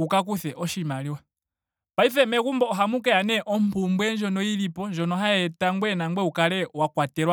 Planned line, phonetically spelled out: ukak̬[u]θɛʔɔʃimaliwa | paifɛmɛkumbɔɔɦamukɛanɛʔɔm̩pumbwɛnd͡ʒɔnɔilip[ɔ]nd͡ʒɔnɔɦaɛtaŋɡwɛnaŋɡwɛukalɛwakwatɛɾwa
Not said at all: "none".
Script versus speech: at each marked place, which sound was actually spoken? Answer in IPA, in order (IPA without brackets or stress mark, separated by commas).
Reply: u, ɔ